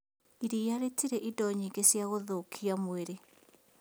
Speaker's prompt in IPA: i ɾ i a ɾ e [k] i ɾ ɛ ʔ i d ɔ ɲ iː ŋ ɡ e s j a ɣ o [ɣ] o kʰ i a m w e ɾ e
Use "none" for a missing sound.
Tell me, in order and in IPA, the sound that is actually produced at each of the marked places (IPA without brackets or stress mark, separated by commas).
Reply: t, ð